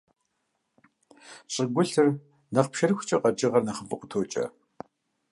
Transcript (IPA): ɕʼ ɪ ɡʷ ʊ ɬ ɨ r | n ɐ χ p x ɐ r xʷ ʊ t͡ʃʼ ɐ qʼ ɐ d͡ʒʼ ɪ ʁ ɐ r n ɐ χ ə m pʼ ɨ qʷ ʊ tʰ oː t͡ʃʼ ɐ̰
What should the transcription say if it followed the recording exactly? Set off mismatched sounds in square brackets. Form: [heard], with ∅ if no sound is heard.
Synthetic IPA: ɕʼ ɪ ɡʷ ʊ ɬ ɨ r | n ɐ χ p [ʃ] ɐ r xʷ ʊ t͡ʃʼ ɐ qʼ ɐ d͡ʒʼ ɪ ʁ ɐ r n ɐ χ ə m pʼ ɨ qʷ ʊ tʰ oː t͡ʃʼ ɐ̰